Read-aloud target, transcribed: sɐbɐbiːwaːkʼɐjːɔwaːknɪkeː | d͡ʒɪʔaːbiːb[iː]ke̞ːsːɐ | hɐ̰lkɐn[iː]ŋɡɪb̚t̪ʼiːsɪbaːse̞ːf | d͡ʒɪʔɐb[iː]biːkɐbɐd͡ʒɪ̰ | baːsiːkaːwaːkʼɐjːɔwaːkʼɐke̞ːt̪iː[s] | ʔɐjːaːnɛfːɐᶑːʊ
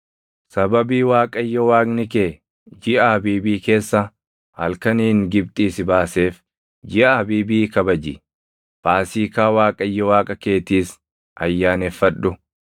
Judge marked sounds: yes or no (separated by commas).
yes, yes, yes, yes